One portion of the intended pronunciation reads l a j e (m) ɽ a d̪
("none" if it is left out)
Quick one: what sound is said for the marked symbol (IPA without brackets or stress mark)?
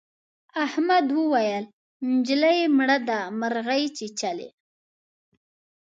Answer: m